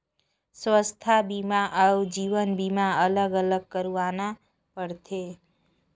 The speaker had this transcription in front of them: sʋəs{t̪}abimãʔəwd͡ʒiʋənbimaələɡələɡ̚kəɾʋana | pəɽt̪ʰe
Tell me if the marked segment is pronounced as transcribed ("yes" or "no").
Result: no